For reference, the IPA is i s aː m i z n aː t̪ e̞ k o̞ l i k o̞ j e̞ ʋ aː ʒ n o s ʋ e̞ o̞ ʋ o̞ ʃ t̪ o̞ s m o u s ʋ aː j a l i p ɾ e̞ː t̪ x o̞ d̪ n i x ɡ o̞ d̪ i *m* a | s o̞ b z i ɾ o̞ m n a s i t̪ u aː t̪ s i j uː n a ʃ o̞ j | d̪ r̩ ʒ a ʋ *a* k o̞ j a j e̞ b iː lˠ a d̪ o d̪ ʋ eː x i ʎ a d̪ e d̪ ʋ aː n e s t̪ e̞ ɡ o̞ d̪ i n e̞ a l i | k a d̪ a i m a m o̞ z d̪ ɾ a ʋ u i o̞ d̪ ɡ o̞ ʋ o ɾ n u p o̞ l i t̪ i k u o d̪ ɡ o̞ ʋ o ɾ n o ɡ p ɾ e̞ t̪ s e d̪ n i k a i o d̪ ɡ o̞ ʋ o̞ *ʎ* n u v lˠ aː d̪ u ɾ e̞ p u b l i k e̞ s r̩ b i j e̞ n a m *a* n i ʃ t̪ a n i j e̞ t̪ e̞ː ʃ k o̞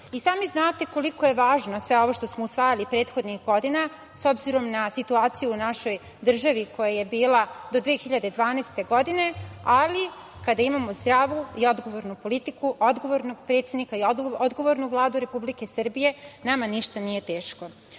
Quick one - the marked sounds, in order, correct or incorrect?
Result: incorrect: n, incorrect: i, incorrect: ɾ, correct

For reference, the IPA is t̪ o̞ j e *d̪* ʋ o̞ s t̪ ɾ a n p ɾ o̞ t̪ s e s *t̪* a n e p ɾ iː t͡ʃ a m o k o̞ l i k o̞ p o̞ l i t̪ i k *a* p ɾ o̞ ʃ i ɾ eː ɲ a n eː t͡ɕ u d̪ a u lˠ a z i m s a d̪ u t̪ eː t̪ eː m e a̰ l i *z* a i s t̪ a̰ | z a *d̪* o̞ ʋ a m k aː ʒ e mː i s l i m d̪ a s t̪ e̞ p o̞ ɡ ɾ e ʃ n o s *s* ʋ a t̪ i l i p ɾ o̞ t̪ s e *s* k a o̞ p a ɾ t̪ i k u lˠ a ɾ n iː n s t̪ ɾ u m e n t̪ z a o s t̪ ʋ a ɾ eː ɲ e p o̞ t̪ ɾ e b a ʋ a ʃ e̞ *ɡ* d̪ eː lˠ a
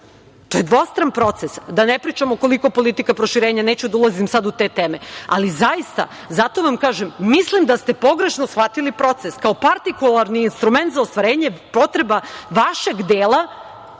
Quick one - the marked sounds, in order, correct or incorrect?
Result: correct, incorrect: d̪, correct, correct, incorrect: t̪, incorrect: x, correct, correct

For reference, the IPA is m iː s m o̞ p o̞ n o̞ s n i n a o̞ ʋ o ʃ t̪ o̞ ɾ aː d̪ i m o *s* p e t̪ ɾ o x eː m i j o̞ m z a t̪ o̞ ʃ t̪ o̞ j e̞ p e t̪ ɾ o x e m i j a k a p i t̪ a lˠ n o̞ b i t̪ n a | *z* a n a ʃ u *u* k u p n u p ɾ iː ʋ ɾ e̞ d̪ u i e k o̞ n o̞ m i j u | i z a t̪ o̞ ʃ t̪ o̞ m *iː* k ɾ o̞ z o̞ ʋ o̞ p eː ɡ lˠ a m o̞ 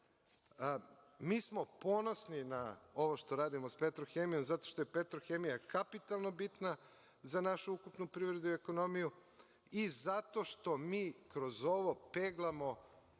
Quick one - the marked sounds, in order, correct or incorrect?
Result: correct, correct, correct, correct

